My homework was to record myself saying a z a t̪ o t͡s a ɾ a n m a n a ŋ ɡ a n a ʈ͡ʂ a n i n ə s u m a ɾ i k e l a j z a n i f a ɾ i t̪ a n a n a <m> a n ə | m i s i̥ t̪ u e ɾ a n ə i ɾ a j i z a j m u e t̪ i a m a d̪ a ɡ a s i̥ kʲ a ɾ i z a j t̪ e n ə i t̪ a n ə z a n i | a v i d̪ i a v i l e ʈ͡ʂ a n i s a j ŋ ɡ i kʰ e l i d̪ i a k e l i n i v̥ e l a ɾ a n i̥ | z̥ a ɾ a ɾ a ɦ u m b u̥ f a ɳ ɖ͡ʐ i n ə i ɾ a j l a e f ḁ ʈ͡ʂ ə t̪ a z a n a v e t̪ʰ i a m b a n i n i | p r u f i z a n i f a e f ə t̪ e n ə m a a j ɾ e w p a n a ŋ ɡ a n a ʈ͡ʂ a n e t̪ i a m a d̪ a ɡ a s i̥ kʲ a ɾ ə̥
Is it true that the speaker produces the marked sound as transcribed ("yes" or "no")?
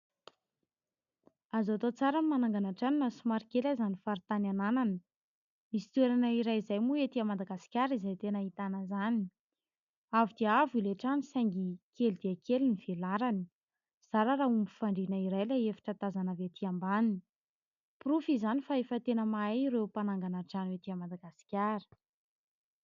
no